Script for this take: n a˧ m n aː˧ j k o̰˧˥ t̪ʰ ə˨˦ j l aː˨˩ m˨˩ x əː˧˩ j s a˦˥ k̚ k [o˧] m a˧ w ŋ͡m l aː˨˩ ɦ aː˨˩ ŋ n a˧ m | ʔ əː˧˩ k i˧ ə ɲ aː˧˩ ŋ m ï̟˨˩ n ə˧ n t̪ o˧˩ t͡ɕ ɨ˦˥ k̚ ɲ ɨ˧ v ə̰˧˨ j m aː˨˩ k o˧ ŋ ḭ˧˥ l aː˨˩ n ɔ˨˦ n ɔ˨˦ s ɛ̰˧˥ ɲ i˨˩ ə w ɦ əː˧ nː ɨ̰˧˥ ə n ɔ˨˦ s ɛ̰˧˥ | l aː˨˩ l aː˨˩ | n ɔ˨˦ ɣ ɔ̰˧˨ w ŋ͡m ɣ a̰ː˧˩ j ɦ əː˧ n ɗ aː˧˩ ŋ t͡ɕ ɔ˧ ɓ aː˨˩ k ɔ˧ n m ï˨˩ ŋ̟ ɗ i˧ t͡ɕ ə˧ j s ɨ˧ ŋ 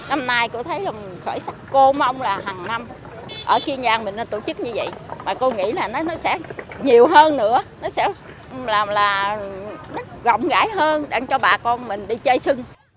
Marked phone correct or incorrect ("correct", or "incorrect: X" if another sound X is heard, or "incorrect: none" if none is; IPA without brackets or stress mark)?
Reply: correct